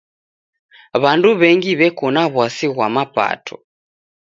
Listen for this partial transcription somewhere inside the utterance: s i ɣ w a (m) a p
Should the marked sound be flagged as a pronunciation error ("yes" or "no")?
no